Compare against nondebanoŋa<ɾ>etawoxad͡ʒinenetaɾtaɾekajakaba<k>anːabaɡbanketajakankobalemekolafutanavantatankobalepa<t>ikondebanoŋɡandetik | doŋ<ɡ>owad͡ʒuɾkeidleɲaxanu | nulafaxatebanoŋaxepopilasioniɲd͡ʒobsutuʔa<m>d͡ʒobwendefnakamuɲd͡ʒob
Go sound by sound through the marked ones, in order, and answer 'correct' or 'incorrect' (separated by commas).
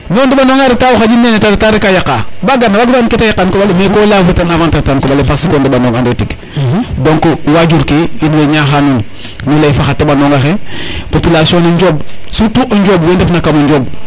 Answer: correct, incorrect, incorrect, incorrect, incorrect